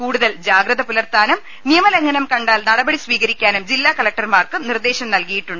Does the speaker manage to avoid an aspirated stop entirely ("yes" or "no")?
yes